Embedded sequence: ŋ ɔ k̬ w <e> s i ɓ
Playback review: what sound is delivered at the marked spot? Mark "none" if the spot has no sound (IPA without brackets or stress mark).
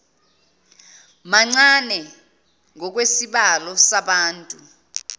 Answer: e